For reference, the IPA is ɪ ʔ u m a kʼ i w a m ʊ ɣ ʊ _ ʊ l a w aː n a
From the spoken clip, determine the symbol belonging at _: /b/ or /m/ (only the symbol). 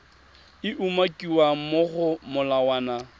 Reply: m